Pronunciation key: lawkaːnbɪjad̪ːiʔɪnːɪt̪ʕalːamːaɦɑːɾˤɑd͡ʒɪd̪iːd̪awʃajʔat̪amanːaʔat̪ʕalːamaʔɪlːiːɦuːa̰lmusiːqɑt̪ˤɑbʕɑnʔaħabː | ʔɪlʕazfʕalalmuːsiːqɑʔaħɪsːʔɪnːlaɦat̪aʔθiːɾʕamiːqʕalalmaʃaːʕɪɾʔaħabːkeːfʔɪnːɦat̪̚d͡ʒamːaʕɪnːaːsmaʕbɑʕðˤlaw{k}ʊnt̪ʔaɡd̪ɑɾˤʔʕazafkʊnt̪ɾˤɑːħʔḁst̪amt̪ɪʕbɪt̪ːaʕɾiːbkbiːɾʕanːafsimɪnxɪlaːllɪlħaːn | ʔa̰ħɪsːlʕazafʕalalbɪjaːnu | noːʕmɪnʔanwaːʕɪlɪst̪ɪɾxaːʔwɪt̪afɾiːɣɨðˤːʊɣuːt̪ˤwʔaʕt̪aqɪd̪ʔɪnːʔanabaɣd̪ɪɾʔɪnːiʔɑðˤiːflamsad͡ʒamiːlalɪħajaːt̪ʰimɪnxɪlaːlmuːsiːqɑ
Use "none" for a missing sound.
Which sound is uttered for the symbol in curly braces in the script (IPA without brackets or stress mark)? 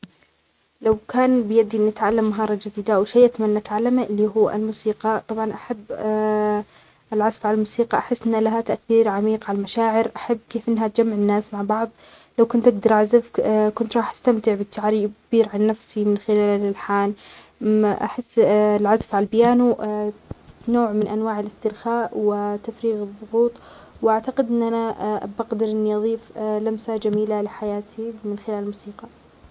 k